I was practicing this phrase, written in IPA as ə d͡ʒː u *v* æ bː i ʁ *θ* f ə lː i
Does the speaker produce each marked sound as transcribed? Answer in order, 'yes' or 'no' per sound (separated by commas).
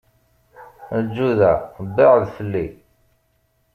no, no